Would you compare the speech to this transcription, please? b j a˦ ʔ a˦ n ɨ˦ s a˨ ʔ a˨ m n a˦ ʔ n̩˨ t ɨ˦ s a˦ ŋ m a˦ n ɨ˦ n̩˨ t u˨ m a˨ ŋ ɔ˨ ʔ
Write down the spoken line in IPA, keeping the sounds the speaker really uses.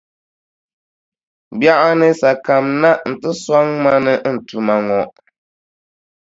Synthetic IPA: b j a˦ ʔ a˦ n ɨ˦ s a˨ k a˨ m n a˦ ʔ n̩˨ t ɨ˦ s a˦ ŋ m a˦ n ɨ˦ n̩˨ t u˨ m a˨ ŋ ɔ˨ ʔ